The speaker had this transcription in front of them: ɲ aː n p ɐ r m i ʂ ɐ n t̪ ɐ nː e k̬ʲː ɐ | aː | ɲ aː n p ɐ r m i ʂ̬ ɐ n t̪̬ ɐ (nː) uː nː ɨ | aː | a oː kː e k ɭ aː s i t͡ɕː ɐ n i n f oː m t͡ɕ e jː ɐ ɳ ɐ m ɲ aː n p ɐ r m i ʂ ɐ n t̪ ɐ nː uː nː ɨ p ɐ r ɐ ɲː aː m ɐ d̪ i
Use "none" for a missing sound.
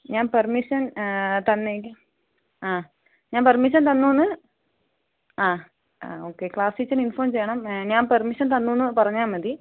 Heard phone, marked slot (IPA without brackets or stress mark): nː